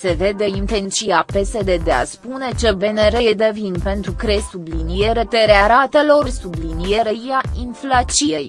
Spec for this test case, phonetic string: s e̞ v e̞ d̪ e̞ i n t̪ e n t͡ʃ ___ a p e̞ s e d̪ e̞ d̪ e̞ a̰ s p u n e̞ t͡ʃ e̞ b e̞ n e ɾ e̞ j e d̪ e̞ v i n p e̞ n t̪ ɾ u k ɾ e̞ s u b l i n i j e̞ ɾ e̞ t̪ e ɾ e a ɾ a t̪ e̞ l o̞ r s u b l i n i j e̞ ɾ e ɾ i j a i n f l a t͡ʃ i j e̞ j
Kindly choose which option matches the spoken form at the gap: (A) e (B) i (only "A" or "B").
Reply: B